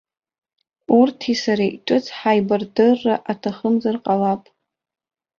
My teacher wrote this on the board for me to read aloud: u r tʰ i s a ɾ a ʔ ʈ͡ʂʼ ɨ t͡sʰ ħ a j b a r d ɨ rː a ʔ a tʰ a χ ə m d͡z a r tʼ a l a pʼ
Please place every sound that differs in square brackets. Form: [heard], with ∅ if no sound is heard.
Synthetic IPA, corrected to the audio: u r tʰ i s a ɾ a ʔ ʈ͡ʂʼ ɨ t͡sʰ ħ a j b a r d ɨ rː a ʔ a tʰ a χ ə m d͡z a r [qʼ] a l a pʼ